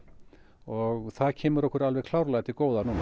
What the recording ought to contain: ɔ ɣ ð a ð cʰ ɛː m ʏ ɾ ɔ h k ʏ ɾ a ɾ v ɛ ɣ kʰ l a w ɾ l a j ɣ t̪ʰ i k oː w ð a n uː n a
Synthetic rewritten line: ɔ ɣ θ a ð cʰ ɛː m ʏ ɾ ɔ h k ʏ ɾ a l v ɛ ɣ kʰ l a w ɾ l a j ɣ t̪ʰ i k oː w ð a n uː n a